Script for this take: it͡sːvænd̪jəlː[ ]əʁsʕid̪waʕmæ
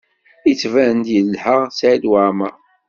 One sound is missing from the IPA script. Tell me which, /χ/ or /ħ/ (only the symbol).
ħ